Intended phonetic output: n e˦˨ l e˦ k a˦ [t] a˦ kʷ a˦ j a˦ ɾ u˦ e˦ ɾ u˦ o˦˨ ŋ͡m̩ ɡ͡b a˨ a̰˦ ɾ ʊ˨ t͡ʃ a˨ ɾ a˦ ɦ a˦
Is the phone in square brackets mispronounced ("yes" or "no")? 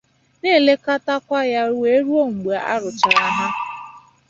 no